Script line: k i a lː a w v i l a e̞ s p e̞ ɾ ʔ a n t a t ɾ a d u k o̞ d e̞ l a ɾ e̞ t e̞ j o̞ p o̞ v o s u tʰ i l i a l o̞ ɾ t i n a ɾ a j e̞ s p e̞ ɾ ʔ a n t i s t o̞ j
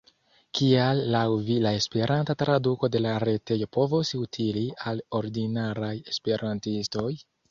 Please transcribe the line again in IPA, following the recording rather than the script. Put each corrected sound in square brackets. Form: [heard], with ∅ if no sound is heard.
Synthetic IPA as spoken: k i a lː a w v i l a e̞ s p e̞ ɾ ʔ a n t a t ɾ a d u k o̞ d e̞ l a ɾ e̞ t e̞ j o̞ p o̞ v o s u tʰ i l i a l o̞ ɾ [d] i n a ɾ a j e̞ s p e̞ ɾ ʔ a n t i s t o̞ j